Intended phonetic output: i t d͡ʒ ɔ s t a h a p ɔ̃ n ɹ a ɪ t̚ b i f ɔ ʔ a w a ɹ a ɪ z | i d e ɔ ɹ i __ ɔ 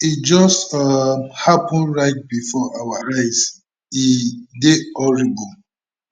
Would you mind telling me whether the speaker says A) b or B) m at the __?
A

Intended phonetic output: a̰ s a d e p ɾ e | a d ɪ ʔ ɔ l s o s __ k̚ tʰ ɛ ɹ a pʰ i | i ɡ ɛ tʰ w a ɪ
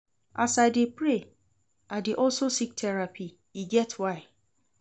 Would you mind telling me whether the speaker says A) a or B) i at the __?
B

